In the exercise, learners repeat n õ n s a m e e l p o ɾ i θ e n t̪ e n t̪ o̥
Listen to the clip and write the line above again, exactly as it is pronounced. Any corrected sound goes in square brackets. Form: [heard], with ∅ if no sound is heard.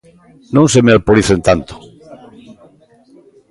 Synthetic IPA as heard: n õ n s [e] m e [a] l p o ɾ i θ e n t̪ [a] n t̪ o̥